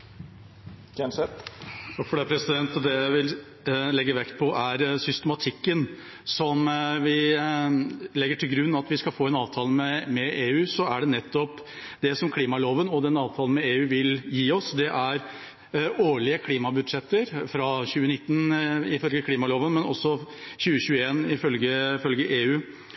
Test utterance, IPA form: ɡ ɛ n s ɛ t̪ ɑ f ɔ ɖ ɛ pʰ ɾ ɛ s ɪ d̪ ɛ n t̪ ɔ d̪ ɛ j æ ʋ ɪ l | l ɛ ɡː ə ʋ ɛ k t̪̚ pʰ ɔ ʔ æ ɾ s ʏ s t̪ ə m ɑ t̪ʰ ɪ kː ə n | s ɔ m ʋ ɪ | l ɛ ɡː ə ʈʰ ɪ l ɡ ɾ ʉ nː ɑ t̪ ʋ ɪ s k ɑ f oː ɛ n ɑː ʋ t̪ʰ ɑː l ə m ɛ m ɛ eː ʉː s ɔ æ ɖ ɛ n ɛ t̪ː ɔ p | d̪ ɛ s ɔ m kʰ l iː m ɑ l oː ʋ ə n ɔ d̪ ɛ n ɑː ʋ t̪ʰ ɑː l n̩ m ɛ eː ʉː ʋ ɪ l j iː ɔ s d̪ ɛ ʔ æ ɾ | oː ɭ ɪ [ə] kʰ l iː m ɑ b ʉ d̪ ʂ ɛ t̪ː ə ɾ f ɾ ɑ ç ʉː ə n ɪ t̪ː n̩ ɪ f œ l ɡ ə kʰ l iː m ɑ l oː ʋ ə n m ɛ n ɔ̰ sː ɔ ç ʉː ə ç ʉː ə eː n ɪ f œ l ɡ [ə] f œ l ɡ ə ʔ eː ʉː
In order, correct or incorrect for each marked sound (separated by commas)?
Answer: correct, correct